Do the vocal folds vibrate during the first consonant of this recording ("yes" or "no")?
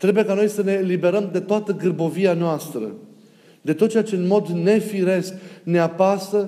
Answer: no